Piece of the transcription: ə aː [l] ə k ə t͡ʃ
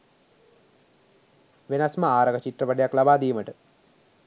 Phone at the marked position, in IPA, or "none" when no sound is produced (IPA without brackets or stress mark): ɾ